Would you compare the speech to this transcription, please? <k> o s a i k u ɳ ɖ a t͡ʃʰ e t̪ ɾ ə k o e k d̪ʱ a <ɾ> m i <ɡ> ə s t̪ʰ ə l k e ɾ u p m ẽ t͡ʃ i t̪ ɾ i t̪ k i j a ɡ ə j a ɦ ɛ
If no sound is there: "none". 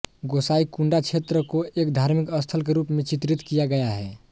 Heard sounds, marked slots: ɡ, ɾ, k

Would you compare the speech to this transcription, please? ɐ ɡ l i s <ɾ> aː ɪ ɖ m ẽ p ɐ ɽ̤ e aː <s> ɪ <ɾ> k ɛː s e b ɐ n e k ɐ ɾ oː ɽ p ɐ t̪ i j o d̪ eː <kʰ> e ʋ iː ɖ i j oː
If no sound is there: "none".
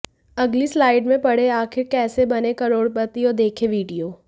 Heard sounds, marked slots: l, x, ɾ, kʰ

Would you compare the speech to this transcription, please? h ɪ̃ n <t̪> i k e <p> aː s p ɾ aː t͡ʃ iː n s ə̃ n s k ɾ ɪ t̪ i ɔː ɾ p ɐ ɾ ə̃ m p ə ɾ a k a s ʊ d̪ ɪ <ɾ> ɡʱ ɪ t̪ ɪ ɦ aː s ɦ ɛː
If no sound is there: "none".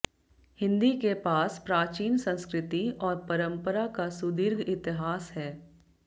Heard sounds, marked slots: d̪, p, ɾ

